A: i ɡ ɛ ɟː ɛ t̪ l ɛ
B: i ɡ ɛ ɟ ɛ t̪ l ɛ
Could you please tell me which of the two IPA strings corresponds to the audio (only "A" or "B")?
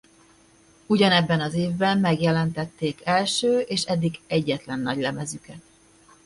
A